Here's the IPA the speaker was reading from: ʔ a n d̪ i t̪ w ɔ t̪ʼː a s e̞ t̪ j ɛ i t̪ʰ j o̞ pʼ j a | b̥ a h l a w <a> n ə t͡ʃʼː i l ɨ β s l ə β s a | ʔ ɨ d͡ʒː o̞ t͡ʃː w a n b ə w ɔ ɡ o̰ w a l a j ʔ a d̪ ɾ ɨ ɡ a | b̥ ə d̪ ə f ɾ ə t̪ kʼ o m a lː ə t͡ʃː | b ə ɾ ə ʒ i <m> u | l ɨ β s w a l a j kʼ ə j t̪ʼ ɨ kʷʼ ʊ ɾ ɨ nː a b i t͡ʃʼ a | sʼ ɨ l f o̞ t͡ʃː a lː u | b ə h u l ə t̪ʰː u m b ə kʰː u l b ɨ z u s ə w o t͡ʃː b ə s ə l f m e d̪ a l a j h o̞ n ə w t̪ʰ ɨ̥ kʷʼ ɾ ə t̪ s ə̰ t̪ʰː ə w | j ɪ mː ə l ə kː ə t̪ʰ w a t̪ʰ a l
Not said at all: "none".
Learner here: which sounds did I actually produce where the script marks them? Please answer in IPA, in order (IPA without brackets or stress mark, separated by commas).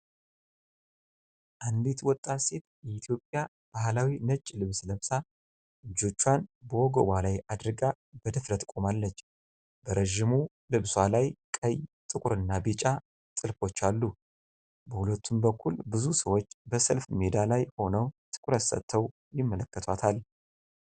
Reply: i, m